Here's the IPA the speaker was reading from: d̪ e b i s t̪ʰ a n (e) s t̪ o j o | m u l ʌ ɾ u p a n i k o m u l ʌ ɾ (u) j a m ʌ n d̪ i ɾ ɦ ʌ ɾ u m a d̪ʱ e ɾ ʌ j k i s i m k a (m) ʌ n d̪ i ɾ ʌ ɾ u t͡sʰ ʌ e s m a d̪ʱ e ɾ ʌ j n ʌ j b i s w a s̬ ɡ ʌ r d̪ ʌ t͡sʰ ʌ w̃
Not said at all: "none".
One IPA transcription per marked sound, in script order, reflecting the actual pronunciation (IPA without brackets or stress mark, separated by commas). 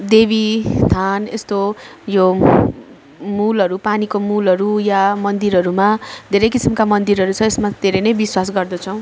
e, u, m